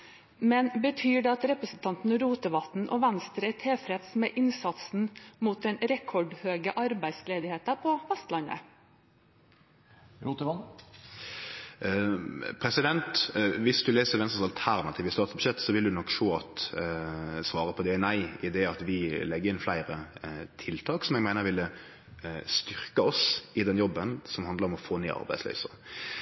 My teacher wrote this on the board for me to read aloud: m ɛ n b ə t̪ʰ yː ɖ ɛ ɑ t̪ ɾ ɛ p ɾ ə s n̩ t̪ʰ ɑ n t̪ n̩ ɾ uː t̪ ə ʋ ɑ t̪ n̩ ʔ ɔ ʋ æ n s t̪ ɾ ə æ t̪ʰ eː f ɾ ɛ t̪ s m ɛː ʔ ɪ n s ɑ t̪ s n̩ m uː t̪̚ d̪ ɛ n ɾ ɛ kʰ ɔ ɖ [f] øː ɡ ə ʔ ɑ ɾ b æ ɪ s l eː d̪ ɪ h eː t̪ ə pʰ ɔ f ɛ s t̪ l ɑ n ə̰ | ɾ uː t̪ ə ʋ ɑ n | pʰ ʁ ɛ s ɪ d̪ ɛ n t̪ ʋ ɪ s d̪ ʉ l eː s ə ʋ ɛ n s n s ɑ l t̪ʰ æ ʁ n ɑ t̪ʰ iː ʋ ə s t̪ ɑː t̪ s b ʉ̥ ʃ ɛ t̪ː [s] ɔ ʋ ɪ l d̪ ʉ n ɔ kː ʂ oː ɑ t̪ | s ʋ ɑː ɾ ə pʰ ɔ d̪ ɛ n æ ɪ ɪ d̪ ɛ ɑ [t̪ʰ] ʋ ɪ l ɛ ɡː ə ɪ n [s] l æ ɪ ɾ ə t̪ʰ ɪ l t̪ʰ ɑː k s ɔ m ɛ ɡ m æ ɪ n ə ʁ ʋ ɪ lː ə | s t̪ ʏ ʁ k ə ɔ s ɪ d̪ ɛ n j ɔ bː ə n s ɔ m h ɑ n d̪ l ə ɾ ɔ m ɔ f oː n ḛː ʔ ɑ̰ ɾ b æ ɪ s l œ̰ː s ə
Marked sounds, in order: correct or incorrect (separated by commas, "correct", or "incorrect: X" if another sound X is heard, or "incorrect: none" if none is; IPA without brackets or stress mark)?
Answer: incorrect: h, correct, incorrect: t̪, incorrect: f